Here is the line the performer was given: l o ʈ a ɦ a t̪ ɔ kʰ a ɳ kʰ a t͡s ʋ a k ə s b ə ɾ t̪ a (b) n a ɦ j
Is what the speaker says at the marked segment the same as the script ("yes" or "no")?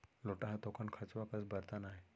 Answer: no